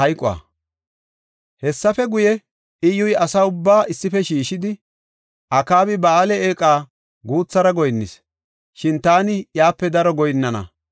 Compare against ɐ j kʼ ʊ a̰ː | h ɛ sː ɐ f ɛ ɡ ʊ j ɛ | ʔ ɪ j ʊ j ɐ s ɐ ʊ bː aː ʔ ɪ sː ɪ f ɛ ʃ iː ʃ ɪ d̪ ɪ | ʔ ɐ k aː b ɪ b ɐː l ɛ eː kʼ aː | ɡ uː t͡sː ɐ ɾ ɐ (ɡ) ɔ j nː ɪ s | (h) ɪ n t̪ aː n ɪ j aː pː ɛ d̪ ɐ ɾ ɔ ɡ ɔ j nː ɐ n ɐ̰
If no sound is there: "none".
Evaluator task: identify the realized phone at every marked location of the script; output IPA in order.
ɡ, ʃ

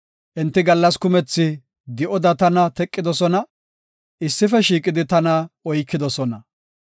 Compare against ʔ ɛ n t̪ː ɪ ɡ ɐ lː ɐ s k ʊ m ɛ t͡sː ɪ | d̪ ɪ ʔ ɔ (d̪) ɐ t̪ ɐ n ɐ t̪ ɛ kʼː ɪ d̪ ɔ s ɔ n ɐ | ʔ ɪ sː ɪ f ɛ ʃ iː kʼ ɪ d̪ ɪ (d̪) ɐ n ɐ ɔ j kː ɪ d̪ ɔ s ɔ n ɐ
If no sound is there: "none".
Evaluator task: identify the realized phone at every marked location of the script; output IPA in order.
d̪, t̪

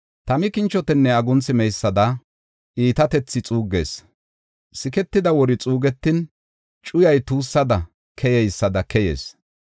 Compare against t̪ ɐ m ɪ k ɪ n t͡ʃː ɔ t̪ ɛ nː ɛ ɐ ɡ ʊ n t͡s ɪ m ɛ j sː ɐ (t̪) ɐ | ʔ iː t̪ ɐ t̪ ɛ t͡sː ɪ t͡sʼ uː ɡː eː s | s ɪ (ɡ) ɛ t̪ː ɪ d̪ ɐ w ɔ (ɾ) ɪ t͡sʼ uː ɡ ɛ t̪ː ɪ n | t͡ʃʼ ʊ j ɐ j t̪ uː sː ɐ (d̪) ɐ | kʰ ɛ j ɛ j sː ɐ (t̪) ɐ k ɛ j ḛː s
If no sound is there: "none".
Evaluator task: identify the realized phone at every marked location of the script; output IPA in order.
d̪, k, ɾ, d̪, d̪

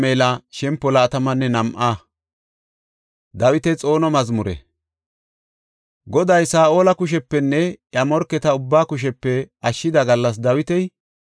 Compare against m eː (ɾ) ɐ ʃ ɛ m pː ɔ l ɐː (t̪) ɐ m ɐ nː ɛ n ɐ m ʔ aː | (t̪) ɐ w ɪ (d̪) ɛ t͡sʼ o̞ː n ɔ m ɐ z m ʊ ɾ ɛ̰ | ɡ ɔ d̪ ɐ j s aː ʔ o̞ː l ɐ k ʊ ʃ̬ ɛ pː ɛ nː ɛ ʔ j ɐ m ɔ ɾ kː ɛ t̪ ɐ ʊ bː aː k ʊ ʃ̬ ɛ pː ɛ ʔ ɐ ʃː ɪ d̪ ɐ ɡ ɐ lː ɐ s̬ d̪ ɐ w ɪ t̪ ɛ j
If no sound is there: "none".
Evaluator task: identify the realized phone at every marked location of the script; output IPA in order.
l, t̪, d̪, t̪

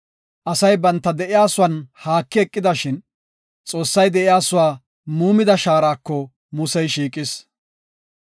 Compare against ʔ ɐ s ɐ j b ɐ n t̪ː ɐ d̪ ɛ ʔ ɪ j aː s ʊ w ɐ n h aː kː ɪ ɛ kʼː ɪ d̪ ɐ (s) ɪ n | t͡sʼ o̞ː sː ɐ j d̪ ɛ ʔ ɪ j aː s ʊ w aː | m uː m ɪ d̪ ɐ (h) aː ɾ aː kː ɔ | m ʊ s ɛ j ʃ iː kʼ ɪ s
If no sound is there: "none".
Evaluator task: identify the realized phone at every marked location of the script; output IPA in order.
ʃ, ʃ

